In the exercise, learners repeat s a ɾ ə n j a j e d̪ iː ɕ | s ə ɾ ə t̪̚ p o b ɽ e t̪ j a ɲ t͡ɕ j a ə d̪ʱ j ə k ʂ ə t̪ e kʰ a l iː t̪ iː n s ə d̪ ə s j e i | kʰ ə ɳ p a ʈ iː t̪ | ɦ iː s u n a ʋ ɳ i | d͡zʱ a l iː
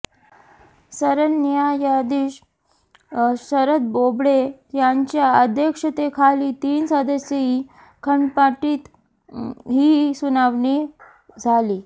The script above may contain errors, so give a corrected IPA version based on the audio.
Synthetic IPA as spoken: s ə ɾ ə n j a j a d̪ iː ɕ | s ə ɾ ə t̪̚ b o b ɽ e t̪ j a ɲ t͡ɕ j a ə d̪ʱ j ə k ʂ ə t̪ e kʰ a l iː t̪ iː n s ə d̪ ə s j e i | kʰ ə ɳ p a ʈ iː t̪ | ɦ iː s u n a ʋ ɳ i | d͡zʱ a l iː